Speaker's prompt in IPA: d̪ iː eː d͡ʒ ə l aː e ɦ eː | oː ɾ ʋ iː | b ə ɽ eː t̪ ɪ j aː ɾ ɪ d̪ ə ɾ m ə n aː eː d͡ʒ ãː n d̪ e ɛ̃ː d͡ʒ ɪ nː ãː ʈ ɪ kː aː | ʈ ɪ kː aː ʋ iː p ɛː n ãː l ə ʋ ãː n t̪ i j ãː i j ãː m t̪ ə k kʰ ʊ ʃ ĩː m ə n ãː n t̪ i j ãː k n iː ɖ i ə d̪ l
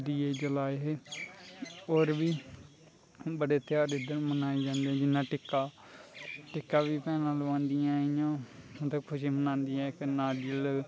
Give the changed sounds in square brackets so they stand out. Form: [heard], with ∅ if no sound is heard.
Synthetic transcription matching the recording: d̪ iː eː d͡ʒ ə l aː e ɦ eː | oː ɾ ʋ iː | b ə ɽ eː t̪ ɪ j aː ɾ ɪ d̪ ə ɾ m ə n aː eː d͡ʒ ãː n d̪ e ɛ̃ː d͡ʒ ɪ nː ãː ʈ ɪ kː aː | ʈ ɪ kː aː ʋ iː p ɛː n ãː l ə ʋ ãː n [d̪] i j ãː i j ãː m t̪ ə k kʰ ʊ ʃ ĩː m ə n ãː n [d̪] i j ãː k n [aː] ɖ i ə [∅] l